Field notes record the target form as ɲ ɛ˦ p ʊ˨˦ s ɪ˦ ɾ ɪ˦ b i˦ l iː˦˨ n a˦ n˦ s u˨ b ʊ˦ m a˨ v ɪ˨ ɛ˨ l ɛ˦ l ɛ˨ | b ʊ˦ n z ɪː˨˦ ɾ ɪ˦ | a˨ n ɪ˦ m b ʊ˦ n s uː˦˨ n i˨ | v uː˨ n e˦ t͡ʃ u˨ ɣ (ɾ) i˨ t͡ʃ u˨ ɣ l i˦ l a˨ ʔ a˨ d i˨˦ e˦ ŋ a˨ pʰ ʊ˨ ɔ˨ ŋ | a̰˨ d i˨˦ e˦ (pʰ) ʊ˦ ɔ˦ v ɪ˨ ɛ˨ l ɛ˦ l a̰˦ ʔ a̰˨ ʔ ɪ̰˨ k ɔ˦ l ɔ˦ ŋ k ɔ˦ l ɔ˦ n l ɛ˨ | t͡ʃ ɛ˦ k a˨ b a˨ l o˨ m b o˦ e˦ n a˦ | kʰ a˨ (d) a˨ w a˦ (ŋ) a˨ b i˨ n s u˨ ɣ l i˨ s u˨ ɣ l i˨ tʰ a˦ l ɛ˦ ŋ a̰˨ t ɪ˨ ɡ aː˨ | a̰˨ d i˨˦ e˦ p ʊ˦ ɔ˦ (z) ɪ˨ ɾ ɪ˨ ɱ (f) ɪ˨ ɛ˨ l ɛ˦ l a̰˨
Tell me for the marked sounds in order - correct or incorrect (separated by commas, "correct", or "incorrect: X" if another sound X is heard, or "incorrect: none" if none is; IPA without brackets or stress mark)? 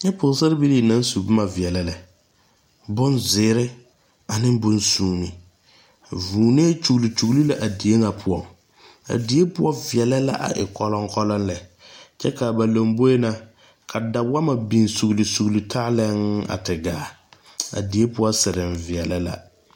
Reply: incorrect: l, incorrect: p, correct, incorrect: m, incorrect: s, incorrect: v